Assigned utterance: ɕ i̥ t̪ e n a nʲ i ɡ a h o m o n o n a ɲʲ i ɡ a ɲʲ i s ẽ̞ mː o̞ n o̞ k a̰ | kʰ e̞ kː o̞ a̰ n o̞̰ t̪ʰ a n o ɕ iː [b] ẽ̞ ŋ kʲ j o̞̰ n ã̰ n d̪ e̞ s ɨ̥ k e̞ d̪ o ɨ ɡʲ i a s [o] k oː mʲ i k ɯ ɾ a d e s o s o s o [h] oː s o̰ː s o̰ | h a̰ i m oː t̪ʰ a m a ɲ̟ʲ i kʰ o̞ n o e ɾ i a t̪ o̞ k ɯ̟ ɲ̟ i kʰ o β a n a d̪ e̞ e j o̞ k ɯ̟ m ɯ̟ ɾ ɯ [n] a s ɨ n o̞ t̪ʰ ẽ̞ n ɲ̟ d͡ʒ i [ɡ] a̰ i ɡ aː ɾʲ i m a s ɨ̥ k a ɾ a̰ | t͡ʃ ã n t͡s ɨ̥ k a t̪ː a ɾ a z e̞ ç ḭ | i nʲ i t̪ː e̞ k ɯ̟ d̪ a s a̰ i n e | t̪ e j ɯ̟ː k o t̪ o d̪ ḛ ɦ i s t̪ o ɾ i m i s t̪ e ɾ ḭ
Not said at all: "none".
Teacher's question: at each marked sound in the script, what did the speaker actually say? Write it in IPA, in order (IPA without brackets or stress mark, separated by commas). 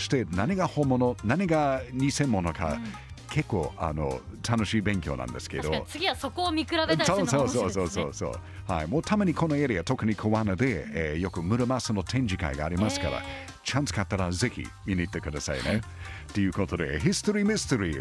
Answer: b, o, s, m, k